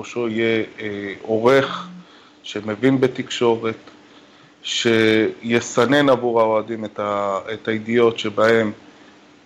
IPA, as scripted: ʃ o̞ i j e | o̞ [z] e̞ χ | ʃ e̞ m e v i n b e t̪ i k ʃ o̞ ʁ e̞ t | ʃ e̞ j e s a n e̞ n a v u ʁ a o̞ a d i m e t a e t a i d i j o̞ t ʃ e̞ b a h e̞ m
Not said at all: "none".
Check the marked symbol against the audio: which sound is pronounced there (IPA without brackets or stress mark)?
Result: ʁ